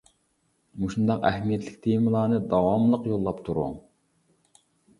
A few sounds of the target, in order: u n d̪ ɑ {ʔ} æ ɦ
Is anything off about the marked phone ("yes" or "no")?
yes